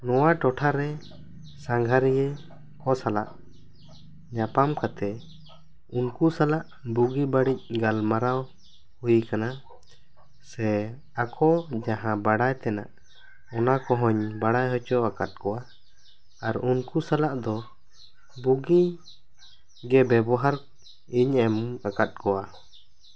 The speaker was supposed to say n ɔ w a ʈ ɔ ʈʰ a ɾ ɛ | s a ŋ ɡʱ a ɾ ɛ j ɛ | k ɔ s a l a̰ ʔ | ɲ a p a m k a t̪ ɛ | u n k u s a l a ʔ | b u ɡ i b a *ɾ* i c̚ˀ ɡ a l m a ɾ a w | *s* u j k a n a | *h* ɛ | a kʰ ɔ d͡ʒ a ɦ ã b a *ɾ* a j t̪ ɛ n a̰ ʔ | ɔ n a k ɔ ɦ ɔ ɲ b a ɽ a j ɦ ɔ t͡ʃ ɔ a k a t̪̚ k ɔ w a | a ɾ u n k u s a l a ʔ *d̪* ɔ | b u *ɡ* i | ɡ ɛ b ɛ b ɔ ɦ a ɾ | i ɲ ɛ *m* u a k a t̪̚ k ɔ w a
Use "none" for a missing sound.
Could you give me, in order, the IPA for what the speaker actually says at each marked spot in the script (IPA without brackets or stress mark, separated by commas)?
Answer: ɽ, h, s, ɽ, d̪, ɡ, m